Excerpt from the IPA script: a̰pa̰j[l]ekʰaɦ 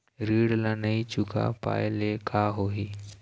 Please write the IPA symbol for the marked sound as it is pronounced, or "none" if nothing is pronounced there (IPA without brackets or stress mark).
l